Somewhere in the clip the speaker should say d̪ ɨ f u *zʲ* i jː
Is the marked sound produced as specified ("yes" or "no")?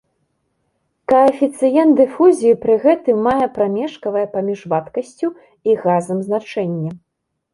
yes